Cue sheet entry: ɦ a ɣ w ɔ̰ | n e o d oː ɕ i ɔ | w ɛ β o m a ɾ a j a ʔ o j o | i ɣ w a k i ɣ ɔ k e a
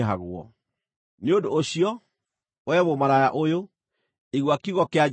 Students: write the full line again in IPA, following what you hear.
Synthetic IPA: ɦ a ɣ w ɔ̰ | n e o d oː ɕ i ɔ | w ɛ β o m a ɾ a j a ʔ o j o | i ɣ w a k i ɣ ɔ k e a